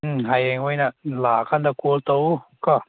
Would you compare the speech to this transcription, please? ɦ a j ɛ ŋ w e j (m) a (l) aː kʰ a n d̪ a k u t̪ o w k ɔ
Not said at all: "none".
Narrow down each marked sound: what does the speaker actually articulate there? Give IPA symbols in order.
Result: n, l

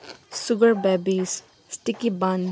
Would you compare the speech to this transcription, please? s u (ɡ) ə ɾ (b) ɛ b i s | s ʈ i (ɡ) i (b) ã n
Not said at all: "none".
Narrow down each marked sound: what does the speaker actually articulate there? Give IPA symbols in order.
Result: ɡ, b, k, b

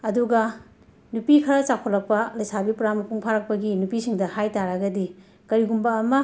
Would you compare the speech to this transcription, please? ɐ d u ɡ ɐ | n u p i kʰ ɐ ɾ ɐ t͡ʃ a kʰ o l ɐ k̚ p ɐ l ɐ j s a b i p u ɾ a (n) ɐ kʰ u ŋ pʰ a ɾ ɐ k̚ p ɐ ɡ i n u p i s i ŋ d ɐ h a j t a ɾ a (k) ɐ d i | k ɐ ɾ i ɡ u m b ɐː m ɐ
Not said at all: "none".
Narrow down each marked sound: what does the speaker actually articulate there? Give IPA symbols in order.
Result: m, ɡ

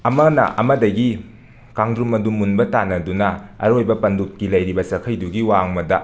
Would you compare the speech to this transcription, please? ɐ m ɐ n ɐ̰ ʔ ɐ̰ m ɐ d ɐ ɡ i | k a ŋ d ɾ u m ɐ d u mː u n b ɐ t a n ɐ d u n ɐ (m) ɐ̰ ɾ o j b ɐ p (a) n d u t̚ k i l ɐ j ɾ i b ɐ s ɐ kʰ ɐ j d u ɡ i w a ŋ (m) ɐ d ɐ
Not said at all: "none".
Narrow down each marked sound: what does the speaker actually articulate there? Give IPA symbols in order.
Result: none, ɐ, m

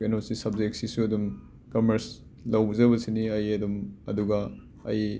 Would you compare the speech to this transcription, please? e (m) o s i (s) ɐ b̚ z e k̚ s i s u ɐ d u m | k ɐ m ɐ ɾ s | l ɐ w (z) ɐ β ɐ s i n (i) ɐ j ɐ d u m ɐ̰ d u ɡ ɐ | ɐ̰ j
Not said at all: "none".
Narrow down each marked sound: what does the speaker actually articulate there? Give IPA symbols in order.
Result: n, s, z, i

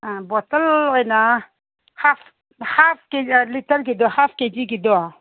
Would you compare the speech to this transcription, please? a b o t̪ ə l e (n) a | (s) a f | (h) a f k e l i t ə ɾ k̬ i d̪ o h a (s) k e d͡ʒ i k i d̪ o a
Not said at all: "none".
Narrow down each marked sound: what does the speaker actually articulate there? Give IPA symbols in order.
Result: n, h, h, f

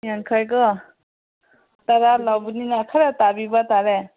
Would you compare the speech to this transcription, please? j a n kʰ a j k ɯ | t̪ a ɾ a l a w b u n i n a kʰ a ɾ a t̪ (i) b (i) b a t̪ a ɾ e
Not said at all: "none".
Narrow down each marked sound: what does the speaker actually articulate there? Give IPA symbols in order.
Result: a, i

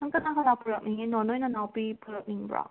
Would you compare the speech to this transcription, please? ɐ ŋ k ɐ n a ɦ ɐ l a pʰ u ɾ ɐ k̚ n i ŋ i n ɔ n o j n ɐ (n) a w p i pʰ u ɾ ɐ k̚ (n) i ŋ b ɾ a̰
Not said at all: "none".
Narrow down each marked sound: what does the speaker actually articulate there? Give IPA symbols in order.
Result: n, n

